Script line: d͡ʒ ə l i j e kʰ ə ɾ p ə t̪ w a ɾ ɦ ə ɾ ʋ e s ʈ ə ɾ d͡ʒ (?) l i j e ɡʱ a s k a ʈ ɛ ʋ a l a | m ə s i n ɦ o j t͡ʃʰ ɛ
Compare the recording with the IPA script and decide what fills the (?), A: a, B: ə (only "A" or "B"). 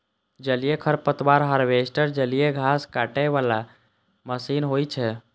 B